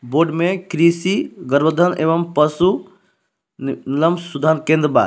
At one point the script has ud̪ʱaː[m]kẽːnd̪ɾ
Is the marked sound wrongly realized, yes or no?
yes